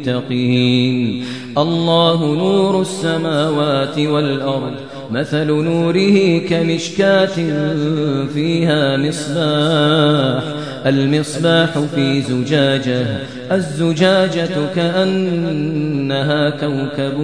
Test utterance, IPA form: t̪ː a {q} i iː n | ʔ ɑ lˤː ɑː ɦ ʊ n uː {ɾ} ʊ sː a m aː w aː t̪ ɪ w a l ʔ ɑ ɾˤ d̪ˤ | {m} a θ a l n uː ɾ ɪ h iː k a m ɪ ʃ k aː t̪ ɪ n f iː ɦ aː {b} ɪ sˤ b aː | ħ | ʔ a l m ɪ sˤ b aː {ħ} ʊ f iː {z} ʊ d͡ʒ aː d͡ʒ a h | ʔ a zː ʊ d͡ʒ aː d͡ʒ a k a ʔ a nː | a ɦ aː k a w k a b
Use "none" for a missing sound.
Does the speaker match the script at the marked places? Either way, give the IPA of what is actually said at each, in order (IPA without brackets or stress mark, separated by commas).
q, ɾ, m, m, ħ, z